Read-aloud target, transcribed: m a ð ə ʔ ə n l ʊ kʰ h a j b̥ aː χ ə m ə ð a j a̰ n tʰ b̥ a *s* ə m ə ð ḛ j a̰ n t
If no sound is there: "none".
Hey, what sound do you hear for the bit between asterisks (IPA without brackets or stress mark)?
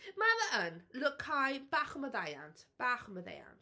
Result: χ